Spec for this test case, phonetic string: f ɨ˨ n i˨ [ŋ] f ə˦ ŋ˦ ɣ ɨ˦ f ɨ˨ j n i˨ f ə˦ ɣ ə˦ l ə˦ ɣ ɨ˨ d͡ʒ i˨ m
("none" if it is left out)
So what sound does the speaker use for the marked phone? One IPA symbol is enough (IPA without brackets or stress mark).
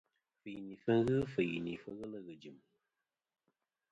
none